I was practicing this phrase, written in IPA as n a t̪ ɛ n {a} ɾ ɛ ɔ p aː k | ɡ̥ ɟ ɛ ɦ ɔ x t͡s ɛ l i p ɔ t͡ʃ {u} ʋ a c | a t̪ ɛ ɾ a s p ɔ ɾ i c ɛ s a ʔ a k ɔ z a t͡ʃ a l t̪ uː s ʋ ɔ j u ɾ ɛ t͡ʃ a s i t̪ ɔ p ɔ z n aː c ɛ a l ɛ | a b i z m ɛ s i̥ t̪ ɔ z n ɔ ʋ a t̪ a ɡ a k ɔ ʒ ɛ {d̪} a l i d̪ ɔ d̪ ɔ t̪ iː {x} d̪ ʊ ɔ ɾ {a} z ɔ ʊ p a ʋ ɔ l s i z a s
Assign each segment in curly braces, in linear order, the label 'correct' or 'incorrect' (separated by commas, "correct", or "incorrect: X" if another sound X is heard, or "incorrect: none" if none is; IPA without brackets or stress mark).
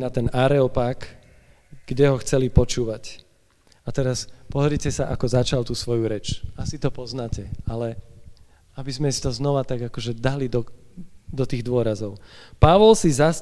correct, incorrect: uː, correct, incorrect: ɣ, correct